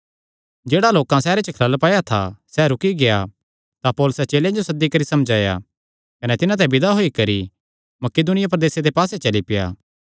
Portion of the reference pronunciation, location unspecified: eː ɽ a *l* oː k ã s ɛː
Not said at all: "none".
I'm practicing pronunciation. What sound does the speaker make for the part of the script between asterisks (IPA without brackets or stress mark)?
l